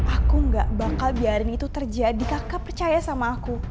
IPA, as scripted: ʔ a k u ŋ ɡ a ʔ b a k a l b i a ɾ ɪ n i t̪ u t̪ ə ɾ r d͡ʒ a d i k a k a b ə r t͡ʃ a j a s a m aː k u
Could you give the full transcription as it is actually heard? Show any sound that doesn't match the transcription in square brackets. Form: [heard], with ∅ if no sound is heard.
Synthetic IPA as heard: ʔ a k u ŋ ɡ a ʔ b a k a l b i a ɾ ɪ n i t̪ u t̪ ə [∅] r d͡ʒ a d i k a k a [p] ə r t͡ʃ a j a s a m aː k u